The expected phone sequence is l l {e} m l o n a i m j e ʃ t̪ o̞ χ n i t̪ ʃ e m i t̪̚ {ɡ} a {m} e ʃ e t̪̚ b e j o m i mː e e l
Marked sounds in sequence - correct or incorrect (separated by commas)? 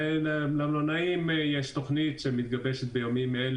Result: incorrect, correct, incorrect